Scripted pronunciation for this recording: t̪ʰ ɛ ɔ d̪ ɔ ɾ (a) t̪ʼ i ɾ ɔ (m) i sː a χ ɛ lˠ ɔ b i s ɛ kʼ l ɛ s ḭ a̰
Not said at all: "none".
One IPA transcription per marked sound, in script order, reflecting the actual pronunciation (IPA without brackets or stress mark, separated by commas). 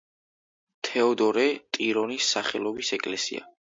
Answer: ɛ, n